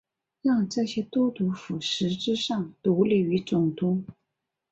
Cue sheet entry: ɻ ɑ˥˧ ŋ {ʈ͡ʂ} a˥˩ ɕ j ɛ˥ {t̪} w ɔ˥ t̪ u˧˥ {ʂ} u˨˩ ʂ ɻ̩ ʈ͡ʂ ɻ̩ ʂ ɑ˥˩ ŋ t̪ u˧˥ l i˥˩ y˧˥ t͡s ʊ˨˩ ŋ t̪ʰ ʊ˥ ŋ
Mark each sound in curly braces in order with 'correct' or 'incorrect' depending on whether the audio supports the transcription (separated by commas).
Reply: correct, correct, incorrect